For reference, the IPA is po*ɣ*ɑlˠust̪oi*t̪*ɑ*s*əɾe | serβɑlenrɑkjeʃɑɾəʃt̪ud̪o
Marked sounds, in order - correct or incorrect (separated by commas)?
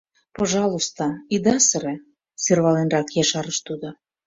incorrect, incorrect, correct